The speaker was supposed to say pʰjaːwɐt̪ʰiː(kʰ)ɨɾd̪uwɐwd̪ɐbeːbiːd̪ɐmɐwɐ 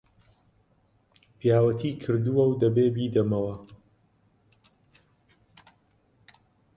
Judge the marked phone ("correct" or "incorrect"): correct